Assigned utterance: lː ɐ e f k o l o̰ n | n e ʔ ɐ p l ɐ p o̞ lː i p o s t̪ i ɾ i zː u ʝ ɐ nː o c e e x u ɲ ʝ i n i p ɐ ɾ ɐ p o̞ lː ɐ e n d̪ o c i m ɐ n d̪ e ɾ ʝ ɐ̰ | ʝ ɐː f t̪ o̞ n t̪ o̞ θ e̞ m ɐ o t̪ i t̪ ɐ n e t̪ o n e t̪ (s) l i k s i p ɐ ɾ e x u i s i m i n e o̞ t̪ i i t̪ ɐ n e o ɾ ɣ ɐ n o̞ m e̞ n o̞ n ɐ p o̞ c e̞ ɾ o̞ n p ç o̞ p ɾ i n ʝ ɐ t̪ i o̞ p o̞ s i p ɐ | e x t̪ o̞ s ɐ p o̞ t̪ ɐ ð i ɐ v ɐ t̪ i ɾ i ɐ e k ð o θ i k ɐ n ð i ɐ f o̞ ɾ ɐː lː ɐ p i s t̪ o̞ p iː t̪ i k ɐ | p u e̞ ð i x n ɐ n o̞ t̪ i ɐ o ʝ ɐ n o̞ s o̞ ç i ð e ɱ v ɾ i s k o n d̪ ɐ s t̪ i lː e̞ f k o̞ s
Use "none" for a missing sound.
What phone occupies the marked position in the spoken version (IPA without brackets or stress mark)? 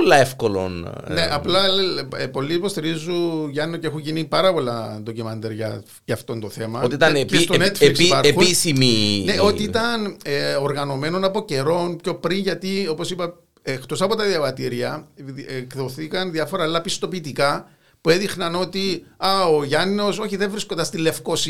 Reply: f